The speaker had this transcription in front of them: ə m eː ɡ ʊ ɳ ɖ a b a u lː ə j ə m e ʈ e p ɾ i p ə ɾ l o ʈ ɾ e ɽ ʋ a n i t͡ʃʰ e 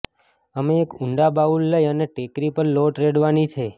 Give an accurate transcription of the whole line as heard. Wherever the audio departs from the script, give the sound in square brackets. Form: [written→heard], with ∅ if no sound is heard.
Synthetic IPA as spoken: ə m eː [ɡ→k] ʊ ɳ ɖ a b a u lː ə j ə [m→n] e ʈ e [p→k] ɾ i p ə ɾ l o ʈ ɾ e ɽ ʋ a n i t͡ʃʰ e